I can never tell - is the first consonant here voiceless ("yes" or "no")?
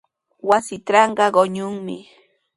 no